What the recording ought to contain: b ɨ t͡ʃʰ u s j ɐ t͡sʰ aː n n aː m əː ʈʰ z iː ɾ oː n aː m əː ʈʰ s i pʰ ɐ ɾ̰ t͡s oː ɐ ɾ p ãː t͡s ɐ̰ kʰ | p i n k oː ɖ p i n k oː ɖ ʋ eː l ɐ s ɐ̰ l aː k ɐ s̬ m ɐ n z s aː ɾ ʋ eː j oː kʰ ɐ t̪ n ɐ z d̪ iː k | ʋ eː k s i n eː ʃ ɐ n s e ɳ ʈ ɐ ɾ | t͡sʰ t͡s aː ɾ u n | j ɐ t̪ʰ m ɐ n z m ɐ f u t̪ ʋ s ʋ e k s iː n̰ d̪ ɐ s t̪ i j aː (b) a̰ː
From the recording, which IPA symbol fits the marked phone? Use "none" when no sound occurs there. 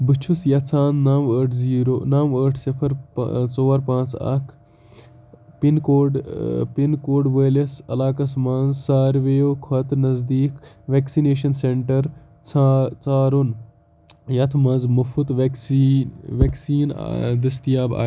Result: b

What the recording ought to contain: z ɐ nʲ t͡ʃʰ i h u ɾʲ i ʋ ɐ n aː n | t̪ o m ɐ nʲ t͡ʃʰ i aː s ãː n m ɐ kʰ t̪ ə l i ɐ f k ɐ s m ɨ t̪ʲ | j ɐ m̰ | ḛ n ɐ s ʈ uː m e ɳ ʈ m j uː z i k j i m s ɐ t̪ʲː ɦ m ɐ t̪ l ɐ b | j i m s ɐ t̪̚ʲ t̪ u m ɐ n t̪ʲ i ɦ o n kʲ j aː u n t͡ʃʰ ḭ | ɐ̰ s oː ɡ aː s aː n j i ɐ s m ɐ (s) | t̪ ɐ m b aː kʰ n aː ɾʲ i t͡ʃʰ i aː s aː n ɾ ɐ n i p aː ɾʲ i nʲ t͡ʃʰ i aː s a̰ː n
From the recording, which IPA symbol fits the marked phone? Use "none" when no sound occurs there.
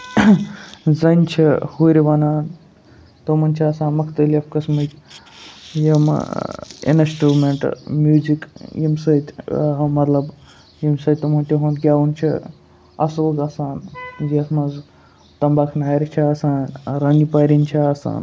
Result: z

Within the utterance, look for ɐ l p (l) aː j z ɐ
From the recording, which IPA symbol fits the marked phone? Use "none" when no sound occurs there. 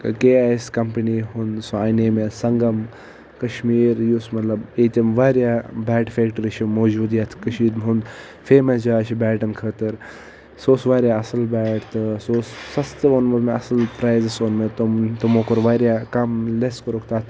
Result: ɾ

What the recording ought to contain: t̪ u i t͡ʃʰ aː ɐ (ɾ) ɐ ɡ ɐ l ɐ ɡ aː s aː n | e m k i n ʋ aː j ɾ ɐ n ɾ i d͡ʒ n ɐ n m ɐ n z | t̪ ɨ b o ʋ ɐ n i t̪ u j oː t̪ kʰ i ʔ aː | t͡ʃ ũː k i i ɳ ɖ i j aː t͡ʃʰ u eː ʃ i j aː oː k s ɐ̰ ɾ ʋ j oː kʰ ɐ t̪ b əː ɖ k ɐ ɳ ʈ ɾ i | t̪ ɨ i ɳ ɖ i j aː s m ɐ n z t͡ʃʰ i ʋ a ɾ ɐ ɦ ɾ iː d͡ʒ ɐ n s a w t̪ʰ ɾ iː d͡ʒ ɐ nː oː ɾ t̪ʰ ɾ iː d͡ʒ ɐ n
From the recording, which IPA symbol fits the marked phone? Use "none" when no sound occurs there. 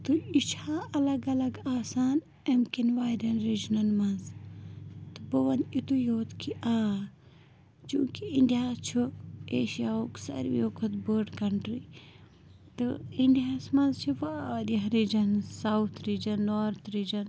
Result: l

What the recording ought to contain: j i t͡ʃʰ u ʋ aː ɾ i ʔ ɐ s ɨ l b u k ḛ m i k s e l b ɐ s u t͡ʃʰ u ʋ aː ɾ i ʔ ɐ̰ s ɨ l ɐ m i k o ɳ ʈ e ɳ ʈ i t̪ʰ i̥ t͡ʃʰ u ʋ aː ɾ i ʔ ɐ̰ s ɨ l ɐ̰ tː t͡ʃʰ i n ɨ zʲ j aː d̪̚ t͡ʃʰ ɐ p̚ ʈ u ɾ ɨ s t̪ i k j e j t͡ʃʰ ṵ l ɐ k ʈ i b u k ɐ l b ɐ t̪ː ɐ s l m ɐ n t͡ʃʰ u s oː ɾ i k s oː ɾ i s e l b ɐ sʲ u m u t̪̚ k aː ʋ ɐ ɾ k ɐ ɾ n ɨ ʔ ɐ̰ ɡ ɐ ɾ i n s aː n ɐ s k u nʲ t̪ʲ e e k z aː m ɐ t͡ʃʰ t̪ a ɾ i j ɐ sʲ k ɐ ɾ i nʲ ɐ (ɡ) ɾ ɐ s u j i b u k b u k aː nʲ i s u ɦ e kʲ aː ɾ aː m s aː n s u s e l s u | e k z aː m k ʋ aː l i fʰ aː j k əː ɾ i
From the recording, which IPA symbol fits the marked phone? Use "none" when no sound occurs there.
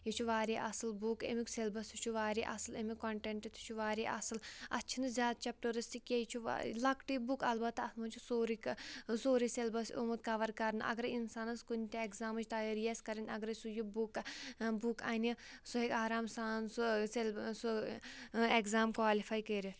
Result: ɡ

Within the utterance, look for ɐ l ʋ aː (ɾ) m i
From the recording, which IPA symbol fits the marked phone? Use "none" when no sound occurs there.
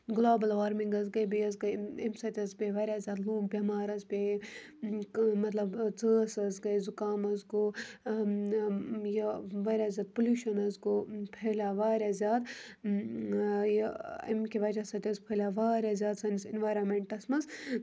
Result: ɾ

